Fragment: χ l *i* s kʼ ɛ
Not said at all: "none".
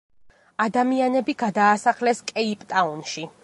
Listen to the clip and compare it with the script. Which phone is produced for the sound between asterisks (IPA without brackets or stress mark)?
ɛ